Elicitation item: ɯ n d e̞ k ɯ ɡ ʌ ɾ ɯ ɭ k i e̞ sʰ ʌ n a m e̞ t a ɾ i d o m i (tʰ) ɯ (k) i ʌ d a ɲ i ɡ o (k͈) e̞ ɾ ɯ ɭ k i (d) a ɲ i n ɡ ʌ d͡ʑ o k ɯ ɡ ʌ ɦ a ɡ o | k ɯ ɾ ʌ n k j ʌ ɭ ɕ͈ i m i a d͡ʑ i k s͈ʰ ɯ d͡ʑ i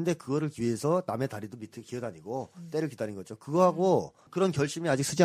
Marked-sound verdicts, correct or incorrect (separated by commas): correct, correct, incorrect, correct